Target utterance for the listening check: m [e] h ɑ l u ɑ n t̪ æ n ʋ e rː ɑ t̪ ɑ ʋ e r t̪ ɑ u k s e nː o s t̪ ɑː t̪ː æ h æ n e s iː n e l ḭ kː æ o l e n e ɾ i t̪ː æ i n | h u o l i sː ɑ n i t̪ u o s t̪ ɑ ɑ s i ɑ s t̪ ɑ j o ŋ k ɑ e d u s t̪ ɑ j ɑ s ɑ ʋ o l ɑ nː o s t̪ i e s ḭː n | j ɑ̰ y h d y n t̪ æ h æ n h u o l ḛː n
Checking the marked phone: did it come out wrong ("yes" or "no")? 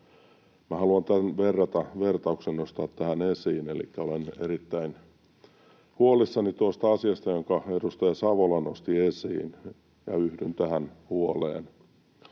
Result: yes